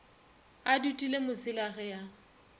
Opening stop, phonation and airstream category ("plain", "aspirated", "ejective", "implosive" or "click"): plain